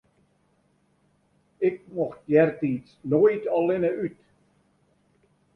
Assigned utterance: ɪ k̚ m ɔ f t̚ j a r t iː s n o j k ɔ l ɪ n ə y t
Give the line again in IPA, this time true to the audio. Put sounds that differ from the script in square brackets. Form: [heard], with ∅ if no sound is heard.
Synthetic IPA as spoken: ɪ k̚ m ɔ [x] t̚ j [ɛ] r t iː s n o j [t] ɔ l ɪ n ə y t